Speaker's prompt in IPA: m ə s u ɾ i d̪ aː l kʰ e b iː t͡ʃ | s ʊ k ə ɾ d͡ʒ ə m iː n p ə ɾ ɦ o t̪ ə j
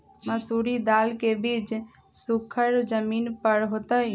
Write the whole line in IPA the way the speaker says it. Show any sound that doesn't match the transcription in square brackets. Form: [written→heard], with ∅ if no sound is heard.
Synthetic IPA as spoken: m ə s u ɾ i d̪ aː l [kʰ→k] e b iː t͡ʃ | s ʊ [k→kʰ] ə ɾ d͡ʒ ə m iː n p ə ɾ ɦ o t̪ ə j